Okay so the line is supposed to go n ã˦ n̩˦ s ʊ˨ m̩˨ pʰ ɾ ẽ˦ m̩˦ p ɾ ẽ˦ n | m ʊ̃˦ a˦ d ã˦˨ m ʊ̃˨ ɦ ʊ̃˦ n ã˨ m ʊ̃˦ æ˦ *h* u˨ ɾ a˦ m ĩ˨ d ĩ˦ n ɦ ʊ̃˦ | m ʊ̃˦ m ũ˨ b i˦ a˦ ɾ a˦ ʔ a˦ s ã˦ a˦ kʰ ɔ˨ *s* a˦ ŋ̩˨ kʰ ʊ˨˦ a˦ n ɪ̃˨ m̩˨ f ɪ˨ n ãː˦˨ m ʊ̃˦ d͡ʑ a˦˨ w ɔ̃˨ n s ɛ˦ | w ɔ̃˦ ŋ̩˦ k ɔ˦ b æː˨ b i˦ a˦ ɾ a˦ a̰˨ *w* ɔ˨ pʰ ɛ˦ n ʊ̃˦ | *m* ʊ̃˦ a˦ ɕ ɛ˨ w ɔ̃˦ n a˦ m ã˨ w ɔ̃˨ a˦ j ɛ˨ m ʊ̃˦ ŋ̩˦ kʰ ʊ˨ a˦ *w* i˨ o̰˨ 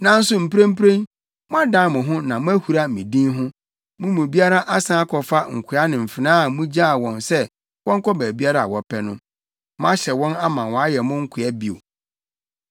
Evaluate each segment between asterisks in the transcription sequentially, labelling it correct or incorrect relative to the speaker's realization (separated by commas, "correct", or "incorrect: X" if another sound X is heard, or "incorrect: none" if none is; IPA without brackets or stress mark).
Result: correct, incorrect: f, correct, correct, incorrect: b